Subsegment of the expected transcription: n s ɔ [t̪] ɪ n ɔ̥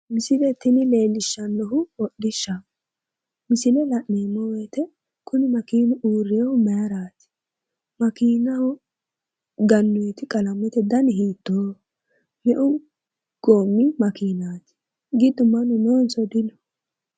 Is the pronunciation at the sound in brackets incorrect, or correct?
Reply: incorrect